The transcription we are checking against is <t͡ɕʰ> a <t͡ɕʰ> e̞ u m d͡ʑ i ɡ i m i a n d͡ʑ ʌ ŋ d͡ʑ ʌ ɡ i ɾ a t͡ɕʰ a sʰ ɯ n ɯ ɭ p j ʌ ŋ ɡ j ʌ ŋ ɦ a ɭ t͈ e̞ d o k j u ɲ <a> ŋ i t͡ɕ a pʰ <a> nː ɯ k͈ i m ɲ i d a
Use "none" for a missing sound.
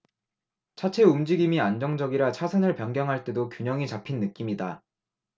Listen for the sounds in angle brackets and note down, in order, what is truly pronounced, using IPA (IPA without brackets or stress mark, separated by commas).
t͡ɕʰ, t͡ɕʰ, ʌ, i